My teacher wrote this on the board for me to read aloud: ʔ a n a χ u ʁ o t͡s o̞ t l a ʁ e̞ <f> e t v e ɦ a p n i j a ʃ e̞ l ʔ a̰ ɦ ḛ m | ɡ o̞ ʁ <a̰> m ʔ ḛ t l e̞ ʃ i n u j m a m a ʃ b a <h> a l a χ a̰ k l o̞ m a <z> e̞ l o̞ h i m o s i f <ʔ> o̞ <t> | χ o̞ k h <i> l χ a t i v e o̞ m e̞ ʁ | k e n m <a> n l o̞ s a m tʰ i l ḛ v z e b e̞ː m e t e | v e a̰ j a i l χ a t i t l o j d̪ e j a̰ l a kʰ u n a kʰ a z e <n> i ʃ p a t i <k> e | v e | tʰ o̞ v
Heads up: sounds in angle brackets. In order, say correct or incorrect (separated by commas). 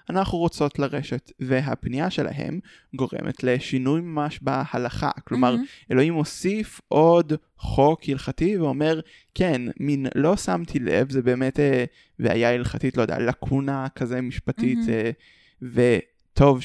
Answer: incorrect, incorrect, correct, incorrect, correct, incorrect, correct, incorrect, incorrect, incorrect